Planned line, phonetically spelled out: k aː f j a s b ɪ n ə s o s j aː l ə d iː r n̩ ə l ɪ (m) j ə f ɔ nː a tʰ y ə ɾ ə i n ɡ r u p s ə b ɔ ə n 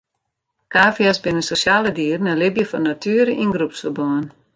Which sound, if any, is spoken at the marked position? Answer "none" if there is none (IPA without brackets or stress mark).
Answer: b